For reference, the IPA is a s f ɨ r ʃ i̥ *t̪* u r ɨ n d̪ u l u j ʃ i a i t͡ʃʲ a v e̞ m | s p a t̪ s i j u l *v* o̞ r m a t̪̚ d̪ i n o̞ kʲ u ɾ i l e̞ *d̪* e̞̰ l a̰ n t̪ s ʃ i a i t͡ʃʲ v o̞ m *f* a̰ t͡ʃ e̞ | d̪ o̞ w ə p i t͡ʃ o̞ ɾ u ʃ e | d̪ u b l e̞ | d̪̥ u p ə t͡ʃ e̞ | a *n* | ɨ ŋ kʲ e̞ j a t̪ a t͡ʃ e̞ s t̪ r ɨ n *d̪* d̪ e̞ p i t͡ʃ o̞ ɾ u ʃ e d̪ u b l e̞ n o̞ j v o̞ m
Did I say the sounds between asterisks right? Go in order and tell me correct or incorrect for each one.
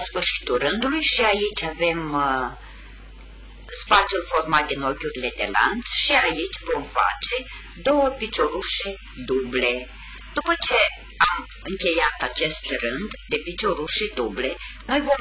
correct, incorrect: f, correct, correct, incorrect: m, correct

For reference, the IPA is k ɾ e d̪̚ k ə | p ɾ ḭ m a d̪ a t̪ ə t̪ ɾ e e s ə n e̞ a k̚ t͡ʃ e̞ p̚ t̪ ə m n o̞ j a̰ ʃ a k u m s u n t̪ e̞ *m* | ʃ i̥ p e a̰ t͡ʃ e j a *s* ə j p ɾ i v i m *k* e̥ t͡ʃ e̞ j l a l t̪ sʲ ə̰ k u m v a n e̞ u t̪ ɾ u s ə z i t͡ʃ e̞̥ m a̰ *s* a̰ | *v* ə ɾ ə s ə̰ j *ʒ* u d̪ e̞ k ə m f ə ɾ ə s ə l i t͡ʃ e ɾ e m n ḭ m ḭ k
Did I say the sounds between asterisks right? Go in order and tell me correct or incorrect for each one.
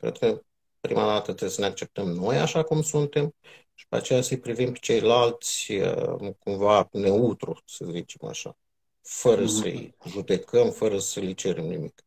correct, correct, incorrect: p, incorrect: ʃ, incorrect: f, correct

